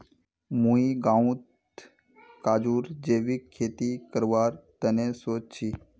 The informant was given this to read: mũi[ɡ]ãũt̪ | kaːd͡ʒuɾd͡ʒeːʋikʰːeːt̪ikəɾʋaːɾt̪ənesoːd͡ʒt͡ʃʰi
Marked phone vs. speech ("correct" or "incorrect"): correct